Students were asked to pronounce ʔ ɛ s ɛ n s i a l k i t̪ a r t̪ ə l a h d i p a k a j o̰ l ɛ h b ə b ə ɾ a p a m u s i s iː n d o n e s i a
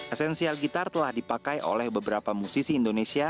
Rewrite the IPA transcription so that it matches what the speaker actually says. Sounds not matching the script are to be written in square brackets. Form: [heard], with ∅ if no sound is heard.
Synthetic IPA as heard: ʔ ɛ s ɛ n s i a l [ɡ] i t̪ a r t̪ ə l a h d i p a k a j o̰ l ɛ h b ə b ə ɾ a p a m u s i s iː n d o n e s i a